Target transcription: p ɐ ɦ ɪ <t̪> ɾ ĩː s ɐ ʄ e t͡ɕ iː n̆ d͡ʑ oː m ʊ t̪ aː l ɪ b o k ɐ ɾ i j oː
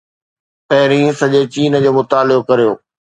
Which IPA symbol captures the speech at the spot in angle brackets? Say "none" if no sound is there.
none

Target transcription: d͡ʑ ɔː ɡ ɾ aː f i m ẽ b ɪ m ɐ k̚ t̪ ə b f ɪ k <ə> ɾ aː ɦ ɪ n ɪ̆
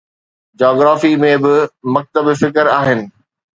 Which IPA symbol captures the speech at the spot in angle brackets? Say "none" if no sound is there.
ə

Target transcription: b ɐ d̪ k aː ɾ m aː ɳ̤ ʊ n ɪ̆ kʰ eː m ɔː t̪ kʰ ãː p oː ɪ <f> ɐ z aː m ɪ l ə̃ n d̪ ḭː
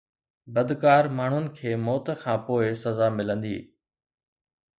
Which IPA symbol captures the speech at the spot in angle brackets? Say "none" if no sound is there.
s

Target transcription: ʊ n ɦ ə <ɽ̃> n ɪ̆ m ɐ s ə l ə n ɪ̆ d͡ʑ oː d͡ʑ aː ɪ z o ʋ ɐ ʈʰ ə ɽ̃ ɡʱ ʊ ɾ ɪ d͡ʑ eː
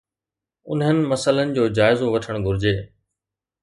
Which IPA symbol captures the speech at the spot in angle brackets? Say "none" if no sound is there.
none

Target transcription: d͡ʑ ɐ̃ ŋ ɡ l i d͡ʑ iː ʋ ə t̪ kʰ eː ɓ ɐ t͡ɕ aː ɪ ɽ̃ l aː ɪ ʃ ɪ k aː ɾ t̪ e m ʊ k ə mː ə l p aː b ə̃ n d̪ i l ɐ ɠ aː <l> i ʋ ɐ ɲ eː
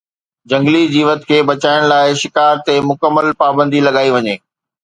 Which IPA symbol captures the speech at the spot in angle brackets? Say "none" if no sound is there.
none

